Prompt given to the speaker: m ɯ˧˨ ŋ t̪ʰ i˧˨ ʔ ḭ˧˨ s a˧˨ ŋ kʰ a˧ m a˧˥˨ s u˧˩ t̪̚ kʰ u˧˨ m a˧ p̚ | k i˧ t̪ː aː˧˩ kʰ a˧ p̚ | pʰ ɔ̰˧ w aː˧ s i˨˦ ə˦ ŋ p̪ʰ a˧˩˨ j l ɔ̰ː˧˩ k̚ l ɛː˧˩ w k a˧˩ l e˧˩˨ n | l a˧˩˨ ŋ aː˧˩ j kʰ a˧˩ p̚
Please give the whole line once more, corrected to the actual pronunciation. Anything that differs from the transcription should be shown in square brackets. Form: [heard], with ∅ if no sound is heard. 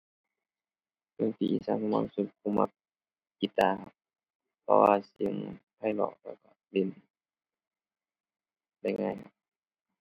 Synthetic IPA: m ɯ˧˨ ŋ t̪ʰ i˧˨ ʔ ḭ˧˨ s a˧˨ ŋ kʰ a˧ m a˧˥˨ s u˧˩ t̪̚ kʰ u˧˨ m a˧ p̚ | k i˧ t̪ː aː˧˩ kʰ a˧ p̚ | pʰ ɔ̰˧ w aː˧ s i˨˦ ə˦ ŋ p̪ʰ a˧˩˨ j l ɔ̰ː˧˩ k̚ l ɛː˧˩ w k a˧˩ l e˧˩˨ n | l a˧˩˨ ŋ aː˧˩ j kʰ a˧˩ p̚